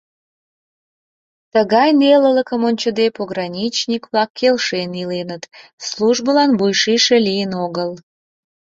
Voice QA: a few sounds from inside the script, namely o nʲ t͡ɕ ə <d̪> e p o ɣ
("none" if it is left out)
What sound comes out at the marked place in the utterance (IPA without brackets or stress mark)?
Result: d̪